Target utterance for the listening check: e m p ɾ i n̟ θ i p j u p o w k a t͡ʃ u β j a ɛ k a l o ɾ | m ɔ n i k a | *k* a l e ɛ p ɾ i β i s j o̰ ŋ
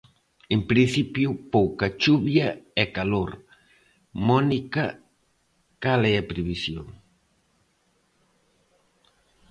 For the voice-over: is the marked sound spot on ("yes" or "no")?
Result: yes